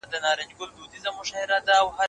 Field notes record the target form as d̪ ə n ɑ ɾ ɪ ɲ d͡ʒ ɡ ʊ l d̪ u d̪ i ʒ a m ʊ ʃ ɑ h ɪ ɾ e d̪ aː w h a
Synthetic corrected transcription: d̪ ə n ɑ ɾ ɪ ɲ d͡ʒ ɡ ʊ l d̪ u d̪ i z a m ʊ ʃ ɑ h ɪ ɾ a d̪ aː w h a